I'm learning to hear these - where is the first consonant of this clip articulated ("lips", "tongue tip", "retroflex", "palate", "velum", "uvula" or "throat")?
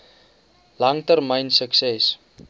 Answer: tongue tip